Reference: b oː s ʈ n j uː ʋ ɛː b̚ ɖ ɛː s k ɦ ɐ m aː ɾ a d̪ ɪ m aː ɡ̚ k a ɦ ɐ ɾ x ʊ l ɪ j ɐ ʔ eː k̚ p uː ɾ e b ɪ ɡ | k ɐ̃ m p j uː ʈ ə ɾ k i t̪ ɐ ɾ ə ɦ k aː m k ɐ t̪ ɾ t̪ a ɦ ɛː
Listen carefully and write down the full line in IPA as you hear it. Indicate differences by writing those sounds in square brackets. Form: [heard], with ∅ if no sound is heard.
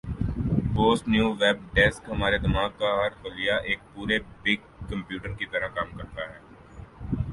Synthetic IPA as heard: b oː s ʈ n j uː ʋ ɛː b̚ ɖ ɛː s k ɦ ɐ m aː ɾ [e] d̪ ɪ m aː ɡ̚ k a ɦ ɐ ɾ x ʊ l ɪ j [a] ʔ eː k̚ p uː ɾ e b ɪ ɡ | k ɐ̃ m p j uː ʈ ə ɾ k i t̪ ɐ ɾ ə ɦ k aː m k ɐ [∅] ɾ t̪ a ɦ ɛː

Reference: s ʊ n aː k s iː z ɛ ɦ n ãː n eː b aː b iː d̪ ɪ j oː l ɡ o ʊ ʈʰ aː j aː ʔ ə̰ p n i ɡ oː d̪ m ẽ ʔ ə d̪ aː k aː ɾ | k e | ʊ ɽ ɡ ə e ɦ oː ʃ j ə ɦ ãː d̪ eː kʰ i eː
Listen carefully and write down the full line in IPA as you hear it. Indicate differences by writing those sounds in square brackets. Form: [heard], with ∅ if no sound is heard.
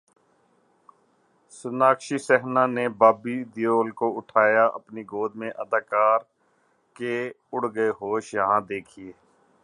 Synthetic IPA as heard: s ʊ n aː k [ʃ] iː [s] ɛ ɦ n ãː n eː b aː b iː d̪ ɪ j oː l [k] o ʊ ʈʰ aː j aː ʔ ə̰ p n i ɡ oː d̪ m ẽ ʔ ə d̪ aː k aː ɾ | k e | ʊ ɽ ɡ ə e ɦ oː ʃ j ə ɦ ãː d̪ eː kʰ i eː

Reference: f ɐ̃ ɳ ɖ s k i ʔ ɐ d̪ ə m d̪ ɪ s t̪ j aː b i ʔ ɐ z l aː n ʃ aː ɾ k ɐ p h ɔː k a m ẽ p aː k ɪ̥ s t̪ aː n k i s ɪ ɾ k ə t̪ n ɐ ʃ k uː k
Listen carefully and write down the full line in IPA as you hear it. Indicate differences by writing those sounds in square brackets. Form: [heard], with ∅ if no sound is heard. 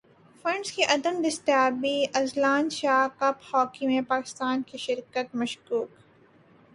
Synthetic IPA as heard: f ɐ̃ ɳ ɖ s k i ʔ ɐ d̪ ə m d̪ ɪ s t̪ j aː b i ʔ ɐ z l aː n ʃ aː [∅] k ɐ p h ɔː k [i] m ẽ p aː k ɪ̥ s t̪ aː n k i [ʃ] ɪ ɾ k ə t̪ [m] ɐ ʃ k uː k

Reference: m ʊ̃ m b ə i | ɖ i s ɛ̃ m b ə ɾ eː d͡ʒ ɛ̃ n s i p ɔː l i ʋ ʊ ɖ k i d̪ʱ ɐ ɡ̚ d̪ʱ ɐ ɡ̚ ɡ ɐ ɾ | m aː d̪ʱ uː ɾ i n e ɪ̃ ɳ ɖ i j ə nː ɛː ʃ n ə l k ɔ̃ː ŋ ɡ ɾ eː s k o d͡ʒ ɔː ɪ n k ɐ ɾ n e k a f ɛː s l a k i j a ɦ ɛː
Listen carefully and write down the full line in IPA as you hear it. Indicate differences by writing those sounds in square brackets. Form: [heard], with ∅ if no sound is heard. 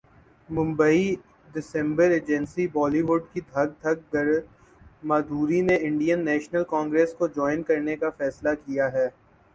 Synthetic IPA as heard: m ʊ̃ m b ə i | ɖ [ɪ] s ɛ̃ m b ə ɾ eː d͡ʒ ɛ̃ n s i [b] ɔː l i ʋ ʊ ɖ k i d̪ʱ ɐ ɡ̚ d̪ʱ ɐ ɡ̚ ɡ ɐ ɾ | m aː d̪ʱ uː ɾ i n e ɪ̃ ɳ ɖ i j ə nː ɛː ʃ n ə l k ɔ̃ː ŋ ɡ ɾ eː s k o d͡ʒ ɔː ɪ n k ɐ ɾ n e k a f ɛː s l a k i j a ɦ ɛː

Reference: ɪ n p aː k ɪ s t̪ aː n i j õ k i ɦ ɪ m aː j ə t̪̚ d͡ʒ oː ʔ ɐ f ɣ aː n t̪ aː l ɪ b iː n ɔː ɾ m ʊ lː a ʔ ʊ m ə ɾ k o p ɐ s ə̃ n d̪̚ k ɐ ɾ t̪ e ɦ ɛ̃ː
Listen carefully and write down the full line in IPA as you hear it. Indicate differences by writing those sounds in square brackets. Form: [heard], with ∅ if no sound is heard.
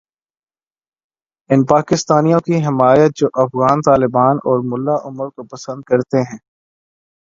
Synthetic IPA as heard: ɪ n p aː k ɪ s t̪ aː n i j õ k i ɦ ɪ m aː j ə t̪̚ d͡ʒ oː ʔ ɐ f ɣ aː n t̪ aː l ɪ b [aː] n ɔː ɾ m ʊ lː a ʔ ʊ m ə ɾ k o p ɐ s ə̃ n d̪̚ k ɐ ɾ t̪ e ɦ ɛ̃ː

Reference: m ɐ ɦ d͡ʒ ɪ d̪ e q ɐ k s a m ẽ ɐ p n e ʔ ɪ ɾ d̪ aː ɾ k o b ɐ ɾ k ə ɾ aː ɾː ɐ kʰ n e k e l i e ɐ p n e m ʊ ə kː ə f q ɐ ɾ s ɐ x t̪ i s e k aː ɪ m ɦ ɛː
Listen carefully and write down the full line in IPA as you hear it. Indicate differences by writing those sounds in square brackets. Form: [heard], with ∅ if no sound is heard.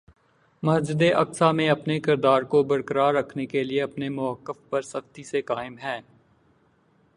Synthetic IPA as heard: m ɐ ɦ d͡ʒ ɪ d̪ e [ʔ] ɐ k s a m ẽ ɐ p n e [k] ɪ ɾ d̪ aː ɾ k o b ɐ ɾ k ə ɾ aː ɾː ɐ kʰ n e k e l i e ɐ p n e m ʊ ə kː ə f [p] ɐ ɾ s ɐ x t̪ i s e k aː ɪ m ɦ ɛː

